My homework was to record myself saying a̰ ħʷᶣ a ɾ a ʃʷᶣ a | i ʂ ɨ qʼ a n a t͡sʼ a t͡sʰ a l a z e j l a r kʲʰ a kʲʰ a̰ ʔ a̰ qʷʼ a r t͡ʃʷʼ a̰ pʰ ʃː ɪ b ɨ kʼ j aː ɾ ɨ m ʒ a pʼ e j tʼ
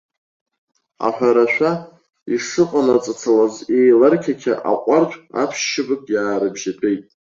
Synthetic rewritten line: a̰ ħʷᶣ a ɾ a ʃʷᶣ a | i ʂ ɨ qʼ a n a t͡sʼ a t͡sʰ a l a z e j l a r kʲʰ a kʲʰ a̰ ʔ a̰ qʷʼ a r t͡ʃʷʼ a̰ pʰ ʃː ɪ b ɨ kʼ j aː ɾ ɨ b ʒ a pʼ e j tʼ